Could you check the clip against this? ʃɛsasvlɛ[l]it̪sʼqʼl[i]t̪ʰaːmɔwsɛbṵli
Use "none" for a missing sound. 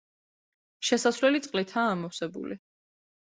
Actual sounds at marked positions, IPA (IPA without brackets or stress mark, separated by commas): l, i